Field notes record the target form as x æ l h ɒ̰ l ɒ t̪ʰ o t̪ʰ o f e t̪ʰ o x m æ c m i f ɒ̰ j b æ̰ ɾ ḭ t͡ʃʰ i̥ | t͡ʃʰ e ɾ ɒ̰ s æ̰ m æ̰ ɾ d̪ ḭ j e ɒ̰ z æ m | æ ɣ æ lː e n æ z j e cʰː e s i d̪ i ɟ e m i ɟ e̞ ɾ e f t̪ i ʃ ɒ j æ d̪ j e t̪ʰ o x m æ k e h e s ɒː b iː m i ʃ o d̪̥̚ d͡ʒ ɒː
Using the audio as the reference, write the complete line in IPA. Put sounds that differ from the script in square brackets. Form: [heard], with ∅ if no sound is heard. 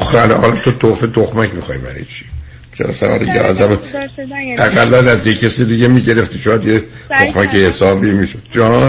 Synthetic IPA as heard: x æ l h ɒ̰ l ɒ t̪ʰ o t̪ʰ o f e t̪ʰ o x m æ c m i [x] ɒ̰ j b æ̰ ɾ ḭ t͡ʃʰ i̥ | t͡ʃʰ e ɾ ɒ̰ s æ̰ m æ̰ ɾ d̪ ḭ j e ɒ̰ z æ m | æ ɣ æ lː [æ] n æ z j e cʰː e s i d̪ i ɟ e m i ɟ e̞ ɾ e f t̪ i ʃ [o] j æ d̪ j e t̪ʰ o x m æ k e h e s ɒː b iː m i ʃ o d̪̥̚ d͡ʒ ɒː